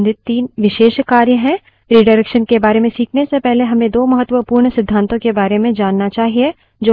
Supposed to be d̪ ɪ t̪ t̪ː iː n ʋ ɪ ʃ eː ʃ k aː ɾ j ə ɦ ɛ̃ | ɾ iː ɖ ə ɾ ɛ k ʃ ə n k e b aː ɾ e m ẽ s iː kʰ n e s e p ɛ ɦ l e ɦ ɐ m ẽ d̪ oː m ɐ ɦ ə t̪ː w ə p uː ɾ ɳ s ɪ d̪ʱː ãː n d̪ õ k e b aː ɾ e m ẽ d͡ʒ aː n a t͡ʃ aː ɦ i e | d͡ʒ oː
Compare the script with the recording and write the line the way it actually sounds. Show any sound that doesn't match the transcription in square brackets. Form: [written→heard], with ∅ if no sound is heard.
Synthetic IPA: d̪ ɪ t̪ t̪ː iː n ʋ ɪ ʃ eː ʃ k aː ɾ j ə ɦ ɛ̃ | ɾ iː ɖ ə ɾ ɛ k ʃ ə n k e b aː ɾ e m ẽ s iː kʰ n e s e p ɛ ɦ l e ɦ ɐ m ẽ d̪ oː m ɐ ɦ ə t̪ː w ə p uː ɾ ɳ s ɪ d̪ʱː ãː n [d̪→t̪] õ k e b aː ɾ e m ẽ d͡ʒ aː [n→nː] a t͡ʃ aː ɦ i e | d͡ʒ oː